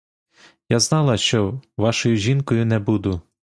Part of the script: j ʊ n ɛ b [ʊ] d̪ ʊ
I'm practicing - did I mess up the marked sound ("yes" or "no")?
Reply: yes